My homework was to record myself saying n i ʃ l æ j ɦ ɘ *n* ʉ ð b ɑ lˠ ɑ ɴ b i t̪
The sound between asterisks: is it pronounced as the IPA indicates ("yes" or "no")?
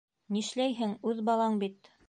no